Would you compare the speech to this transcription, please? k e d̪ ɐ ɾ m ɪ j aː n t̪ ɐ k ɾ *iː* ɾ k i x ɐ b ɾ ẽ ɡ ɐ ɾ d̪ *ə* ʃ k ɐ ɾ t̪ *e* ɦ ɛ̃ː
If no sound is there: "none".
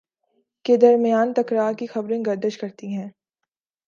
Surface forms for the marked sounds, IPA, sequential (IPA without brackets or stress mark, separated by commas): aː, ə, i